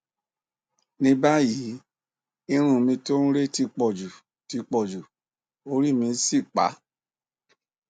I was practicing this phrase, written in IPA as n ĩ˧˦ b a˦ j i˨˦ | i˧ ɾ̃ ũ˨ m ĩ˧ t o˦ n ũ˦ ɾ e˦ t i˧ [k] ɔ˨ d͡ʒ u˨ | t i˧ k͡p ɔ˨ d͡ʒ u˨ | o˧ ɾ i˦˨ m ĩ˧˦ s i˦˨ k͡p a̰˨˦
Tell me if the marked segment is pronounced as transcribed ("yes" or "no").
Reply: no